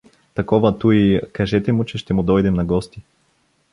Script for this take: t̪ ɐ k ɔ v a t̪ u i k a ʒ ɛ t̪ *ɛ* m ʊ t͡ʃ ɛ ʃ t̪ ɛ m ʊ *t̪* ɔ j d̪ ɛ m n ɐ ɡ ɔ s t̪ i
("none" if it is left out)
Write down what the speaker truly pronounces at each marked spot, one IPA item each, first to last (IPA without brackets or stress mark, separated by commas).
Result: ɛ, d̪